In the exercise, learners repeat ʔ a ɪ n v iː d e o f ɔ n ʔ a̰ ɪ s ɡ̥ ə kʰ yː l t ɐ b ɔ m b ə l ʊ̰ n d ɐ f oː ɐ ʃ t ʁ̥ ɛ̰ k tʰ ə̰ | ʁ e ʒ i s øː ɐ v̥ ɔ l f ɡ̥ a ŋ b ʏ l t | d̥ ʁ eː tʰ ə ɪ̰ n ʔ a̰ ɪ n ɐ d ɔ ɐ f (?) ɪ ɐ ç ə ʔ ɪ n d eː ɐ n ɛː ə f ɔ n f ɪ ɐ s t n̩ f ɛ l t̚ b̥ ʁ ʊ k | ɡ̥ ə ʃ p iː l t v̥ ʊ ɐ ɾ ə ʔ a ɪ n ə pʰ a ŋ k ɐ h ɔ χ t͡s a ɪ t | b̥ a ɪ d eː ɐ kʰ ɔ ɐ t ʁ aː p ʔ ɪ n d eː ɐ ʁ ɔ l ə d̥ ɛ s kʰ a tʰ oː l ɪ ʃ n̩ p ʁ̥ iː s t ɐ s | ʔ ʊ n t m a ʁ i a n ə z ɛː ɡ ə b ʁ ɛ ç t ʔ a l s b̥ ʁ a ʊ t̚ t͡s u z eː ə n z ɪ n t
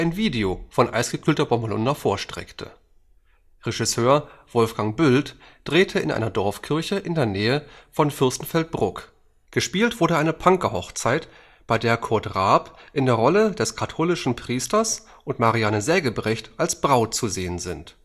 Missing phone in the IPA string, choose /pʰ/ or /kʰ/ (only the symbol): kʰ